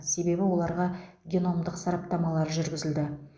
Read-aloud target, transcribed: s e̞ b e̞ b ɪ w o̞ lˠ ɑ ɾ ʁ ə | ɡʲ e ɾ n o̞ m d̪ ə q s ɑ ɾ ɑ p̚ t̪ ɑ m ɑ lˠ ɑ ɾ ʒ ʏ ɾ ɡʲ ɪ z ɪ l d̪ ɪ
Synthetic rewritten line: s e̞ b e̞ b ɪ w o̞ lˠ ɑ ɾ ʁ ɑ | ɡʲ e n o̞ m d̪ ə q s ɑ ɾ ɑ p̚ t̪ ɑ m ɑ lˠ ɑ ɾ ʒ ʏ ɾ ɡʲ ɪ z ɪ l d̪ ɪ